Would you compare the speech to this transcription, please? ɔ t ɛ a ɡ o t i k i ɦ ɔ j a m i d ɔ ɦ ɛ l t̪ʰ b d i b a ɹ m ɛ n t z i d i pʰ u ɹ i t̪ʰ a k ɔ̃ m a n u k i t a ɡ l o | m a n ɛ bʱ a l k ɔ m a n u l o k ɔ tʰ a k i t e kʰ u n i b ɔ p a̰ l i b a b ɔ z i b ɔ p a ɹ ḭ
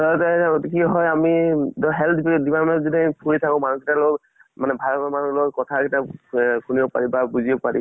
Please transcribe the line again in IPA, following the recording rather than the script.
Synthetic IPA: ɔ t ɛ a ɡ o t i k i ɦ ɔ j a m i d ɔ ɦ ɛ l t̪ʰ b d i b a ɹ m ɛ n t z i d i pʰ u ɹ i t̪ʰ a k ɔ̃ m a n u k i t a l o | m a n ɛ bʱ a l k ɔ m a n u l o k ɔ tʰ a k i t a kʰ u n i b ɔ p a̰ ɹ i b a b u z i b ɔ p a ɹ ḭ